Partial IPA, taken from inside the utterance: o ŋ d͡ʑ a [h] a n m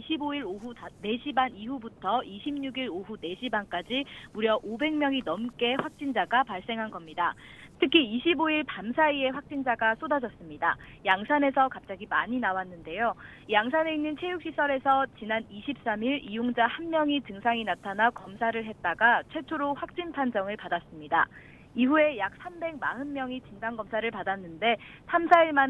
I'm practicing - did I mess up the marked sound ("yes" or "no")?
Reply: no